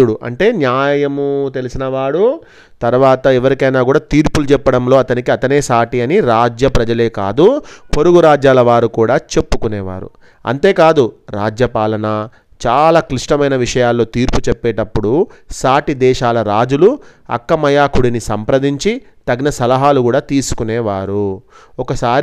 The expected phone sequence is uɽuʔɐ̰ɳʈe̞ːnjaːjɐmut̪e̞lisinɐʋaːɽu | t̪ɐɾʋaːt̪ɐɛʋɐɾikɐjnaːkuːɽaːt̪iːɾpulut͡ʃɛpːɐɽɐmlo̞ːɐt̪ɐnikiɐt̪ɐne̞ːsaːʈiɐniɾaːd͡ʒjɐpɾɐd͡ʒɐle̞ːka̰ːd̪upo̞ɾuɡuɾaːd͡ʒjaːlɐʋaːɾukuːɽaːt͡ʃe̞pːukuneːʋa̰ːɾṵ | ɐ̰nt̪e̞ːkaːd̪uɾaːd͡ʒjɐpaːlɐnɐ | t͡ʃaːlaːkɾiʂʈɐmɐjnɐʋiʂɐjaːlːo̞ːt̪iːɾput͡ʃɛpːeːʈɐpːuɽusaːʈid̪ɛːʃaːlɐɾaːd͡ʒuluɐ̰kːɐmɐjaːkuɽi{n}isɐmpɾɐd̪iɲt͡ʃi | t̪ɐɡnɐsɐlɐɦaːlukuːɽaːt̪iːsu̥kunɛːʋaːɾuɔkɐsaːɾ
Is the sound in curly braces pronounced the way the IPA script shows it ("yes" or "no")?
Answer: yes